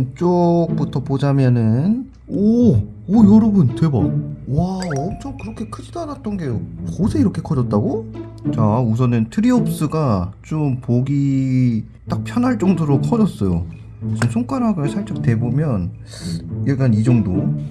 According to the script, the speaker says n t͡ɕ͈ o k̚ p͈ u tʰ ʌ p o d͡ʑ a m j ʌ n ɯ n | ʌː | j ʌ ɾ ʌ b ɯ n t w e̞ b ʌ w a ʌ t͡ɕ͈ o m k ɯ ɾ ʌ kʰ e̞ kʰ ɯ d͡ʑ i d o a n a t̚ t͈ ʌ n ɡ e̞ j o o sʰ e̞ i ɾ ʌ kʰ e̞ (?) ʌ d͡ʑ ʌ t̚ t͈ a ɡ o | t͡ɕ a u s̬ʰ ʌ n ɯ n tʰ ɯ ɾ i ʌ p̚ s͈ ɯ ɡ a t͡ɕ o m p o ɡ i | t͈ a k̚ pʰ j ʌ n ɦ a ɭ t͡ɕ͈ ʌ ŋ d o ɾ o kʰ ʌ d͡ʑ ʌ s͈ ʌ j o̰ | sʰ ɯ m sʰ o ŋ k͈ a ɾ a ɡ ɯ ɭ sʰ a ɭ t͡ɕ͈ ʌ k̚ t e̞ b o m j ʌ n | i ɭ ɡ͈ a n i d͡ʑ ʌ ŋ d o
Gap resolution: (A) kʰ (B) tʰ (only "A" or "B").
A